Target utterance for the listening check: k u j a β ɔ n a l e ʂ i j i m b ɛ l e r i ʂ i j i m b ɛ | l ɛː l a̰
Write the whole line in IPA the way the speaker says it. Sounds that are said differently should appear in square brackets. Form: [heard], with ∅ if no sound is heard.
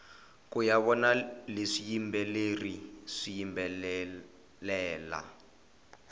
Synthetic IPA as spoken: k u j a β ɔ n a l e ʂ i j i m b ɛ l e r i ʂ i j i m b ɛ | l ɛː l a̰